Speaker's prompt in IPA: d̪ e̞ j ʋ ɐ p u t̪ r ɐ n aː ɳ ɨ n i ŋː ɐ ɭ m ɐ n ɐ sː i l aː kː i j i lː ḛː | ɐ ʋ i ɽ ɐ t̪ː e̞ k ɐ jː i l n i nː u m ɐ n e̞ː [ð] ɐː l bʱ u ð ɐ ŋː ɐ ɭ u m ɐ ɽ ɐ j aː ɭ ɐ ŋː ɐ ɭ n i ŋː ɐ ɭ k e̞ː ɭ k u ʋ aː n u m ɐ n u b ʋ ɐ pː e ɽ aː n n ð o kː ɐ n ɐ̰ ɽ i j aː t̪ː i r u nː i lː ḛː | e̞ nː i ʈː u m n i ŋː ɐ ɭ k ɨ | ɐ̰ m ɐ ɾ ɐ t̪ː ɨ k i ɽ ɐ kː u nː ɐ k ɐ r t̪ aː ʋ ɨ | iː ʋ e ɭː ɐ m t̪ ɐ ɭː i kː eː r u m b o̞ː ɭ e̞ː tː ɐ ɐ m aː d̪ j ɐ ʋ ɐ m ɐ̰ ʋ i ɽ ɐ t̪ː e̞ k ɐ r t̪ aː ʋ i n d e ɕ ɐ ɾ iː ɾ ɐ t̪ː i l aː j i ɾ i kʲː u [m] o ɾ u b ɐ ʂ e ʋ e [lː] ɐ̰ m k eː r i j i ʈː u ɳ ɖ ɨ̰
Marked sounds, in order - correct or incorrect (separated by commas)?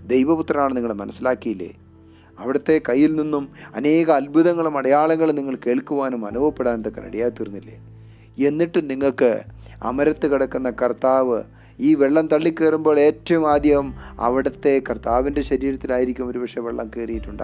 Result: incorrect, correct, incorrect